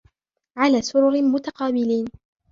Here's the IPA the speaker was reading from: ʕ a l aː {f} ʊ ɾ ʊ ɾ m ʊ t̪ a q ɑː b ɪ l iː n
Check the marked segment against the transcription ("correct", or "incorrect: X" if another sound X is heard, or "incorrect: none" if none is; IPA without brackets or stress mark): incorrect: s